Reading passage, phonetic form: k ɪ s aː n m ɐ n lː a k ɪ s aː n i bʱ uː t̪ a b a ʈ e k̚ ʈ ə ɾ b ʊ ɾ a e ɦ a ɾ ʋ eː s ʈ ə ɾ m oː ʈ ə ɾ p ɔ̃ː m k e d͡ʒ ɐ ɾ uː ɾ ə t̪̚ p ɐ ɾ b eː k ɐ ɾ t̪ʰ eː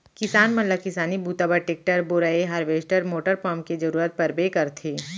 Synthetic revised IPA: k ɪ s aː n m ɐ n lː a k ɪ s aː n i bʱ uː t̪ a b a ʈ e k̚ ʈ ə ɾ b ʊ ɾ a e ɦ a ɾ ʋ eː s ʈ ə ɾ m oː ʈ ə ɾ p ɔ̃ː m k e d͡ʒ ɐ ɾ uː ɾ ə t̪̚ p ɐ ɾ b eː k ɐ ɾ t̪ʰ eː